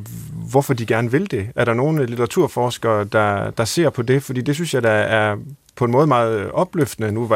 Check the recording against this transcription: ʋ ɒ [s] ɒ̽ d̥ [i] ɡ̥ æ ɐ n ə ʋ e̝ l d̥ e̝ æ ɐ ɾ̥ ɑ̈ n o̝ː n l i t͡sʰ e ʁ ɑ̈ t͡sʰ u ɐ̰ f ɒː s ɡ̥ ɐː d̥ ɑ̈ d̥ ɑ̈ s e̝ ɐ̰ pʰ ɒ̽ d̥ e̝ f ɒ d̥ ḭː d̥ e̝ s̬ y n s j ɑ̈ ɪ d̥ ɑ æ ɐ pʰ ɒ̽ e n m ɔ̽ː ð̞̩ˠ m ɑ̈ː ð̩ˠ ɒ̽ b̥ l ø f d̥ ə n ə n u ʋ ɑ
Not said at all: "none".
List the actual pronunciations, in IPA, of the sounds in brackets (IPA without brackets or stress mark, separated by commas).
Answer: f, i